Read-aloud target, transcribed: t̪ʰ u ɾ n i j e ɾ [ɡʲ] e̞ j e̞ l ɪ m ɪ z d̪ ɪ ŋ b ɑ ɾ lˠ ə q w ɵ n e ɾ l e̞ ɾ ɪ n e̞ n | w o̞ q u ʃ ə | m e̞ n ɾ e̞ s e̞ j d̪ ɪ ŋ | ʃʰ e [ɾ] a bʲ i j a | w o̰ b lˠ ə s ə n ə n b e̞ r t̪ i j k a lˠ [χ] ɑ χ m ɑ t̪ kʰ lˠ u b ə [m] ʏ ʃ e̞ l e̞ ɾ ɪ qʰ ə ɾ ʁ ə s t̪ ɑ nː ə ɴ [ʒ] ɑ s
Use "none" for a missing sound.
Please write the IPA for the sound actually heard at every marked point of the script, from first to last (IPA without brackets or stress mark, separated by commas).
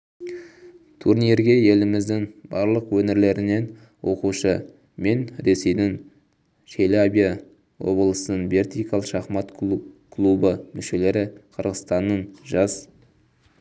ɡʲ, l, ʃ, m, ʒ